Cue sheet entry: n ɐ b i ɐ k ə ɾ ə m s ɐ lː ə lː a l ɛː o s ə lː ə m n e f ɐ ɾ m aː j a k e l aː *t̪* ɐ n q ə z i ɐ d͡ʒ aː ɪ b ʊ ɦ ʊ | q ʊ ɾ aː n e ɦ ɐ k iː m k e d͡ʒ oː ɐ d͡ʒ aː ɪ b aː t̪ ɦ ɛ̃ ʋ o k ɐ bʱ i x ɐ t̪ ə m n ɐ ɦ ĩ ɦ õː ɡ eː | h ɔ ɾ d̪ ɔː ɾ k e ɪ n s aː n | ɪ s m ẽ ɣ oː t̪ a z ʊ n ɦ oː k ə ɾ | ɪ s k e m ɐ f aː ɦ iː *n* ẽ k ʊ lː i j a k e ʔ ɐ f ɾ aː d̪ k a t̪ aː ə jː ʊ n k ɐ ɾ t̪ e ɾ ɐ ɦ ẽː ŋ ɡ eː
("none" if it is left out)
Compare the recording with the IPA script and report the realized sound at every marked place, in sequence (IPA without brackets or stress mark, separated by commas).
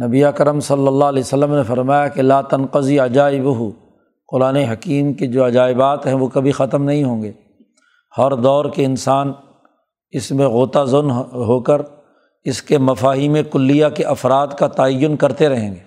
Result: t̪, m